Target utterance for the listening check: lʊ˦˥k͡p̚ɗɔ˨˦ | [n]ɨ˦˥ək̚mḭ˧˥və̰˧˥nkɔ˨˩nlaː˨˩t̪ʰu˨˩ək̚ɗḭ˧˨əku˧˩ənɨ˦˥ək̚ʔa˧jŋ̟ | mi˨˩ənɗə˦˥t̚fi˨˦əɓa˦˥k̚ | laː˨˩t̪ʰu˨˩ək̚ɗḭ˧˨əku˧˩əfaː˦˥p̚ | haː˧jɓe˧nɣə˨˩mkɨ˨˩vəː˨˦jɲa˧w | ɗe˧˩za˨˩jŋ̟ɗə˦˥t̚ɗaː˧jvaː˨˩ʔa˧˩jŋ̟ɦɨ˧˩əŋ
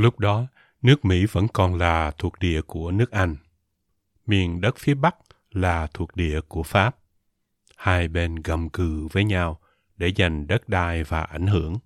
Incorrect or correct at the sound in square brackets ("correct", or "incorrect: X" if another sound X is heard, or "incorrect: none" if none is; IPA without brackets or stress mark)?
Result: correct